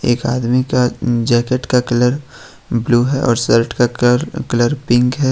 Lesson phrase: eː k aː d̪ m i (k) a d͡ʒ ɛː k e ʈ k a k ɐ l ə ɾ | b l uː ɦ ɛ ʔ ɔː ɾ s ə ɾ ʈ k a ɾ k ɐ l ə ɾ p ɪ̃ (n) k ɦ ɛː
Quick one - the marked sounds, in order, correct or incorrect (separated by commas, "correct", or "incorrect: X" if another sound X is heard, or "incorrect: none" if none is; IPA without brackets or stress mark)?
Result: correct, incorrect: ŋ